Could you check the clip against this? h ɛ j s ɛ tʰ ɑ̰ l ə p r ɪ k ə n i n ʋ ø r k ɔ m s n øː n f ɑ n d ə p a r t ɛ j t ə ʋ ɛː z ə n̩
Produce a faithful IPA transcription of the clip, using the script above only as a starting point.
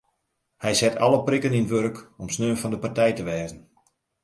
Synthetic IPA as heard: h ɛ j s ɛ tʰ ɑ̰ l ə p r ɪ k ə n i n ʋ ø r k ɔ m s n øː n f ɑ n d ə p a r t ɛ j t ə ʋ ɛː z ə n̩